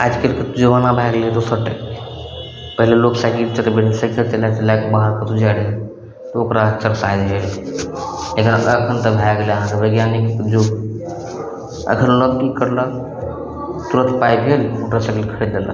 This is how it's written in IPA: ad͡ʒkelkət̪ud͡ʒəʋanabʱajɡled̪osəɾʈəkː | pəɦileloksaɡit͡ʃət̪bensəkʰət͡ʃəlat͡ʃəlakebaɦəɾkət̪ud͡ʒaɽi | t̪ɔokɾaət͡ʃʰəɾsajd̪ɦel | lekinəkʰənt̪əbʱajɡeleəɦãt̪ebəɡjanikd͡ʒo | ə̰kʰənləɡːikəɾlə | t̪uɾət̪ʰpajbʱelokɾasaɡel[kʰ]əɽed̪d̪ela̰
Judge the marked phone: correct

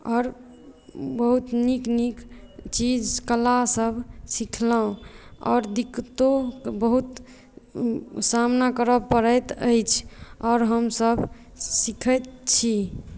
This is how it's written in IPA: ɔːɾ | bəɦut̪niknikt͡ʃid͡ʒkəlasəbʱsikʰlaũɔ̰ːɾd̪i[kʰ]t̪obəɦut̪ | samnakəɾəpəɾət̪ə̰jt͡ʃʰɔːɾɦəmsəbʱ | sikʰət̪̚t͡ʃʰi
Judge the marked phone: incorrect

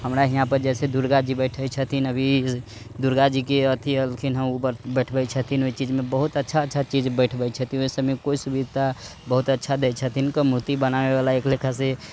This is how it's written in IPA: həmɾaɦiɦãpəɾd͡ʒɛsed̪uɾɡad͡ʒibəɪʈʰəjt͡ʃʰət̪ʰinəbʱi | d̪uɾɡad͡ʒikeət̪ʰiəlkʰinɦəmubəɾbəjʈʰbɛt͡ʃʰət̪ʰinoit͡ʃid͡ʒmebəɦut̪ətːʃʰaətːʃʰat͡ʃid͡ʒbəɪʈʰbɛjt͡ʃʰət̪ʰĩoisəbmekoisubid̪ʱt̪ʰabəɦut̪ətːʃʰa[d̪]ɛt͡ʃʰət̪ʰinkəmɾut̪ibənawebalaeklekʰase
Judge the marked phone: correct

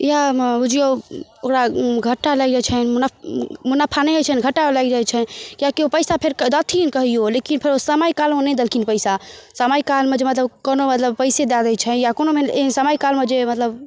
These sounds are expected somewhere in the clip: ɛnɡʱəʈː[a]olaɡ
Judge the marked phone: correct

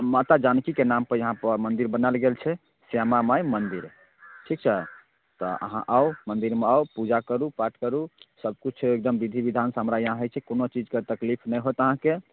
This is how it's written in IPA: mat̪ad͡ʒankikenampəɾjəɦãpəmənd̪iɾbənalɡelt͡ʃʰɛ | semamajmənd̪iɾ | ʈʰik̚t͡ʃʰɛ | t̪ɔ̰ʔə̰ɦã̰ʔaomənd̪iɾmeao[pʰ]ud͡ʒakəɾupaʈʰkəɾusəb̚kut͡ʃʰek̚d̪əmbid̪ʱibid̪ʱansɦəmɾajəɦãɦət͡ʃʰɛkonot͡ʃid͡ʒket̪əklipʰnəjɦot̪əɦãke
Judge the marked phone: incorrect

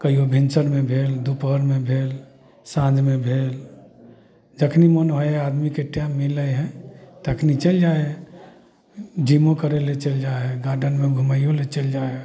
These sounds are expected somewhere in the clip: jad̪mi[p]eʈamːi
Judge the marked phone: incorrect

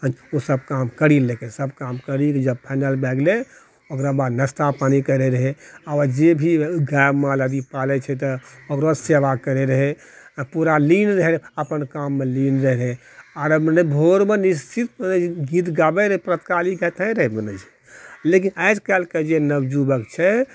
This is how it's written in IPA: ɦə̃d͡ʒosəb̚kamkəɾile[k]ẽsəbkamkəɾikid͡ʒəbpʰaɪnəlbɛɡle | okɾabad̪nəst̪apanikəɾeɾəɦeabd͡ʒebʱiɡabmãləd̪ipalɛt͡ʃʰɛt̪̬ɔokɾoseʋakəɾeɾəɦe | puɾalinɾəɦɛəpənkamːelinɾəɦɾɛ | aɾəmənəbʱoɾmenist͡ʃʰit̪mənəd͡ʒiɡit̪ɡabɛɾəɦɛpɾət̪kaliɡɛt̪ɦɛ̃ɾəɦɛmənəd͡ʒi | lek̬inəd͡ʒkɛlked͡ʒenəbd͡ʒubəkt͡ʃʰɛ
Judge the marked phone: correct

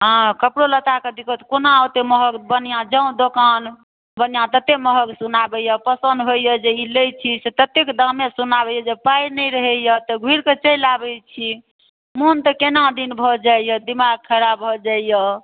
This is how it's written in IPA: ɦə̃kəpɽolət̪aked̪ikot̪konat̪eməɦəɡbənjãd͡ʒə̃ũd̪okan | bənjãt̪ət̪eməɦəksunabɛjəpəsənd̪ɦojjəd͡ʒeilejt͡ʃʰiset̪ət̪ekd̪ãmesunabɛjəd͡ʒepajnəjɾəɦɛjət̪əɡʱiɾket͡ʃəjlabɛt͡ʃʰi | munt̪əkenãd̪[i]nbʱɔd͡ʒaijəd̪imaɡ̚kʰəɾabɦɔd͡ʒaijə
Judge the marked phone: correct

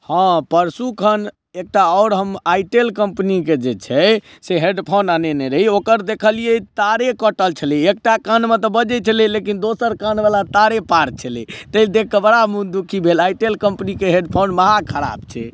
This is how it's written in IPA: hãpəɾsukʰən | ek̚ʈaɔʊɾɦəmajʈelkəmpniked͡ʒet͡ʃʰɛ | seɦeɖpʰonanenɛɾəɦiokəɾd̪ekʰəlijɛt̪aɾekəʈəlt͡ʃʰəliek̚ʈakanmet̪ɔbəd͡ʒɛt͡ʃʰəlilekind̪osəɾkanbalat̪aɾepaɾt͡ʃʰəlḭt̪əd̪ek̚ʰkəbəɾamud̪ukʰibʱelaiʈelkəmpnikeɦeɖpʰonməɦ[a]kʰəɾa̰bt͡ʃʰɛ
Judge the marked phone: correct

